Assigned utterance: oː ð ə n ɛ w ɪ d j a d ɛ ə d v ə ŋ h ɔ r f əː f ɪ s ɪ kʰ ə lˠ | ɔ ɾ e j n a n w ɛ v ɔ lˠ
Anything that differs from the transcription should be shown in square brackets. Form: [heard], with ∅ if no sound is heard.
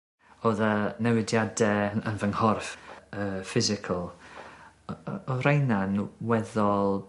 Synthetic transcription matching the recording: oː ð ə n ɛ w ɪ d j a d ɛ ə [n] v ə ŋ h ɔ r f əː f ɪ [z] ɪ kʰ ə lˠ | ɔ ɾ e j n a n w ɛ [ð] ɔ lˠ